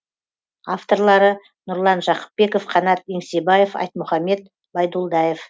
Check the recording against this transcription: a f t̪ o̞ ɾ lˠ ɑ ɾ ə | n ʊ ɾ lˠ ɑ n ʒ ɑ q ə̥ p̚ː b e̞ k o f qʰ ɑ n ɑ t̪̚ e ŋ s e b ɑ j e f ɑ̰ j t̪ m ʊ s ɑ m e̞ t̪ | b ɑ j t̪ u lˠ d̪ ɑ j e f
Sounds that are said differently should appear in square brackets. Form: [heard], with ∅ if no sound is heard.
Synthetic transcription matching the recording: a f t̪ o̞ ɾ lˠ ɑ ɾ ə | n ʊ ɾ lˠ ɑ n ʒ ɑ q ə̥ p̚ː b e̞ k o f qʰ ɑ n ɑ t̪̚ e ŋ s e b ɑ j e f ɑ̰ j t̪ m ʊ [χ] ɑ m e̞ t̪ | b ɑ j [d̪] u lˠ d̪ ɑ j e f